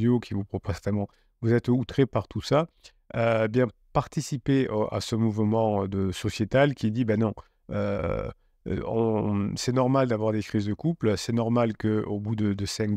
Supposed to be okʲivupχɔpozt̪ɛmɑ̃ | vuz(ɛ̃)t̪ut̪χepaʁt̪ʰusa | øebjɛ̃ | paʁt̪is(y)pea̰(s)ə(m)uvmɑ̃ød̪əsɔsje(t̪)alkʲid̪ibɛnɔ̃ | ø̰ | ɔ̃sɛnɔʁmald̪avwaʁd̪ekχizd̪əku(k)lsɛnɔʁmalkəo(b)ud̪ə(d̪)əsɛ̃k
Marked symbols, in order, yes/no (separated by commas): no, no, yes, yes, yes, no, yes, yes